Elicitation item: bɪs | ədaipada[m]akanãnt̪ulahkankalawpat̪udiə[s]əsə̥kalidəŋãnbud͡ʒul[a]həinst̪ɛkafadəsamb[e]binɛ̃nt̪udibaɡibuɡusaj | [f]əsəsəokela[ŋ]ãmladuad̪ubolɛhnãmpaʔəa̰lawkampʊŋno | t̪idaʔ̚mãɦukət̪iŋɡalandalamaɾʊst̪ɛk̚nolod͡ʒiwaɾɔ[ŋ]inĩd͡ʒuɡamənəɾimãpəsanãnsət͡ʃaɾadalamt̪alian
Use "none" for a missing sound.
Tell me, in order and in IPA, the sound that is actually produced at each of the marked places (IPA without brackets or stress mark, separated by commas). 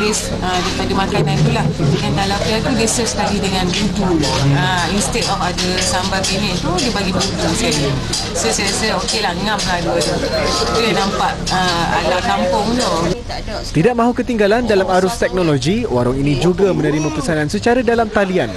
m, s, a, a, s, ŋ, ŋ